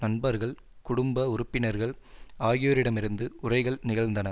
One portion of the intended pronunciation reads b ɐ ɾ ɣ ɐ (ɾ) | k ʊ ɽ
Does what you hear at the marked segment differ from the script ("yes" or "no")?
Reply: yes